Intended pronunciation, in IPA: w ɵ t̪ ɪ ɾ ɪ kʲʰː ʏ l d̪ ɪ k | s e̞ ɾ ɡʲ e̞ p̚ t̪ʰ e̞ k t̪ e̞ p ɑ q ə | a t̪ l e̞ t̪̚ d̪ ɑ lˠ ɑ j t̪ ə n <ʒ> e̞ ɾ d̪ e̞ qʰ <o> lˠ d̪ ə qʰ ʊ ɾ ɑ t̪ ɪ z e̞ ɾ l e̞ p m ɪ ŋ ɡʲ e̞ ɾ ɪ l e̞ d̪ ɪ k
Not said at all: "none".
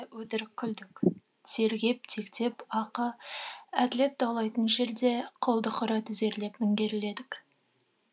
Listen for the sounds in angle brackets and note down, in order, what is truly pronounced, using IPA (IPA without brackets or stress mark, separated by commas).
ʒ, o